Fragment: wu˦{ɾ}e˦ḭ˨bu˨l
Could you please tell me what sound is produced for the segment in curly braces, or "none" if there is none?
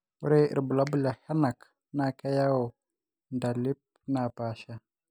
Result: ɾ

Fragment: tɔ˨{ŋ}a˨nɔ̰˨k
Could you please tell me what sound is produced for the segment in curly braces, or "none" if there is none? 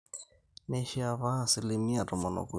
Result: m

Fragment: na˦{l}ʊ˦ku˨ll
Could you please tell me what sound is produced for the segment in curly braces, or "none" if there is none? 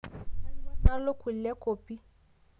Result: l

